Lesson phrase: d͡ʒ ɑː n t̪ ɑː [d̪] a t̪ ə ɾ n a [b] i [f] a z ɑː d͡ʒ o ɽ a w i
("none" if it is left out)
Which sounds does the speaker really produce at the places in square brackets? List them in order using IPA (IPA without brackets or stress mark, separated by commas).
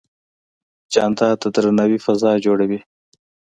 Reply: t̪, w, f